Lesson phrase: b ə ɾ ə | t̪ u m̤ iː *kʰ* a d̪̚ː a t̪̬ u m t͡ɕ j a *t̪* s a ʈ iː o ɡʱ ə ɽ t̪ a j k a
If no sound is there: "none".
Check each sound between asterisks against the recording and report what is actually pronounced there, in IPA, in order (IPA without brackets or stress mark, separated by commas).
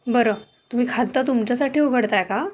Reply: kʰ, none